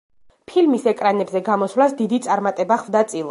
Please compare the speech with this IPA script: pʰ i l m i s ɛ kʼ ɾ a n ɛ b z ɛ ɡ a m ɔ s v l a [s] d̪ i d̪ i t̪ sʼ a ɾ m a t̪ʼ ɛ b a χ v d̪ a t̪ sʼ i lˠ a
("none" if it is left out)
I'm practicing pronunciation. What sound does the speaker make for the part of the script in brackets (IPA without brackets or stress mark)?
s